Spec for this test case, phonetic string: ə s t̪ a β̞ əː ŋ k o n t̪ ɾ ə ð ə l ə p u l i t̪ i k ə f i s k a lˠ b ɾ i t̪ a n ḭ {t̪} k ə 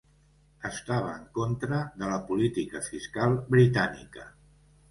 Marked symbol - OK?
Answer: no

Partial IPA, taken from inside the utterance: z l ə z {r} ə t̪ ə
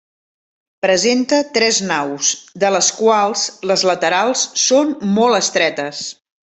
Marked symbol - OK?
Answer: no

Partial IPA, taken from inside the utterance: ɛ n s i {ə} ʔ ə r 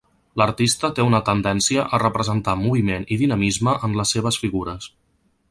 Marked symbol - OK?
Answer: yes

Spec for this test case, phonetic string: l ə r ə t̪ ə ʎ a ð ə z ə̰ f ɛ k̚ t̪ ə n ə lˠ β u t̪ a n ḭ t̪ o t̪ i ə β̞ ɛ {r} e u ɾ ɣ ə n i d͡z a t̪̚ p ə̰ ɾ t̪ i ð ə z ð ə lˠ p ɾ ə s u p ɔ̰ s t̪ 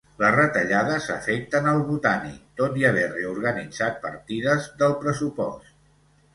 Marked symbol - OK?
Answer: yes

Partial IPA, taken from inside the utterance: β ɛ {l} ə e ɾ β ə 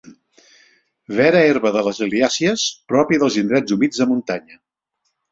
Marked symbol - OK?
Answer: no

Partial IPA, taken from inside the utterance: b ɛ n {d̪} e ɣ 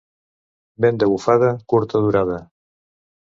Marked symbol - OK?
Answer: yes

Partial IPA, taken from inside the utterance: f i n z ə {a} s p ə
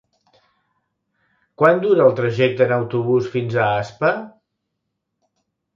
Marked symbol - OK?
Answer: yes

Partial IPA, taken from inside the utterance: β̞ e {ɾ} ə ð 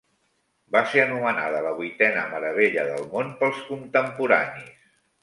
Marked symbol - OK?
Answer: no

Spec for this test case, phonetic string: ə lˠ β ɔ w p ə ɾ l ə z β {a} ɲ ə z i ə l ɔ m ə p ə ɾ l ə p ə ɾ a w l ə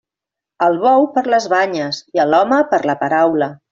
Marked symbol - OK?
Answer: yes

